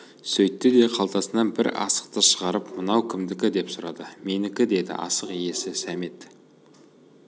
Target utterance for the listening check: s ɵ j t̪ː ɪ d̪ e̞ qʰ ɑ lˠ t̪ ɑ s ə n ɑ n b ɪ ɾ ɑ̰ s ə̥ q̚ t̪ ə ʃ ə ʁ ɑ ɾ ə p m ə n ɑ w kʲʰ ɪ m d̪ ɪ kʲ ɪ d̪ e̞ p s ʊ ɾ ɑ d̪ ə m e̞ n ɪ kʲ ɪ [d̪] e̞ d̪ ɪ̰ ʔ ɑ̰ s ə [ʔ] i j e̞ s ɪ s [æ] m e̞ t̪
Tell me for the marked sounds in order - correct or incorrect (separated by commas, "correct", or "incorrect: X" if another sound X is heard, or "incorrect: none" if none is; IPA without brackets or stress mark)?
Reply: correct, incorrect: q, correct